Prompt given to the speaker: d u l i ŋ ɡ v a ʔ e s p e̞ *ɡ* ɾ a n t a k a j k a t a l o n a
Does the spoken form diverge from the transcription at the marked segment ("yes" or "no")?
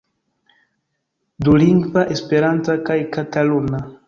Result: yes